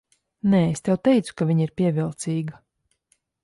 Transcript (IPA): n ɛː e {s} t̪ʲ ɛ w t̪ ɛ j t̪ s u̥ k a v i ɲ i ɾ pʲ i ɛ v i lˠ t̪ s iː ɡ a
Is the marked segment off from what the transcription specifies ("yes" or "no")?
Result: no